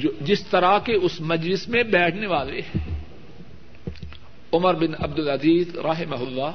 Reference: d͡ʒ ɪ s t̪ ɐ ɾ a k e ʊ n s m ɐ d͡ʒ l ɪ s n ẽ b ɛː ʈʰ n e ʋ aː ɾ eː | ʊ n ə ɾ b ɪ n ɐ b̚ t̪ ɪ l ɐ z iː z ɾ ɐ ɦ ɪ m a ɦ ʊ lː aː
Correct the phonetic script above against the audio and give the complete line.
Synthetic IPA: d͡ʒ ɪ s t̪ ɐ ɾ a k e ʊ s m ɐ d͡ʒ l ɪ s m ẽ b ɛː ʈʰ n e ʋ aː l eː | ʊ m ə ɾ b ɪ n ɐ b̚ d̪ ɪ l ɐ z iː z ɾ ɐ ɦ ɪ m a ɦ ʊ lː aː